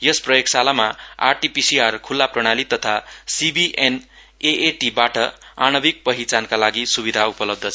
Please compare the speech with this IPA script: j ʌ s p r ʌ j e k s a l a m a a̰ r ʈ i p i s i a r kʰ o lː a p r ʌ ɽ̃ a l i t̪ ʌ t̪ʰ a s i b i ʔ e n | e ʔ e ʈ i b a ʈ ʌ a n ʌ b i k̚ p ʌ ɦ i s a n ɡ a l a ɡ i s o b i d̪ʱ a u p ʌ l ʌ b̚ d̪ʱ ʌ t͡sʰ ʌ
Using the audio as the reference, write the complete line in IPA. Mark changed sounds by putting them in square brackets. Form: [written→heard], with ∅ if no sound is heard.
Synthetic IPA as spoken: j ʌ s p r ʌ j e k s a l a m a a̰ r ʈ i p i s i a r kʰ [o→u] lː a p r ʌ ɽ̃ a l i t̪ ʌ t̪ʰ a s i b i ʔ e n | e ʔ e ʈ i b a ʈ ʌ a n ʌ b i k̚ p ʌ ɦ i [s→t͡s] a n [ɡ→k] a l a ɡ i s [o→u] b i d̪ʱ a u p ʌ l ʌ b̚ d̪ʱ ʌ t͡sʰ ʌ